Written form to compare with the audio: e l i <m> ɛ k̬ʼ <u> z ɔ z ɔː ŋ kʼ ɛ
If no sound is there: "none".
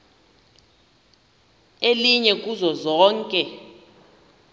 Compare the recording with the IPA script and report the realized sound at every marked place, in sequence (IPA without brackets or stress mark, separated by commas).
ɲ, u